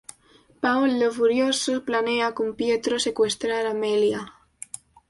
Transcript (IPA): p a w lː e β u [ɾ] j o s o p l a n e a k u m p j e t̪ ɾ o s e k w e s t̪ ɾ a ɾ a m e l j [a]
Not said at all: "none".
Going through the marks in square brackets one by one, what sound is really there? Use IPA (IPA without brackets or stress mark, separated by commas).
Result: ɾ, a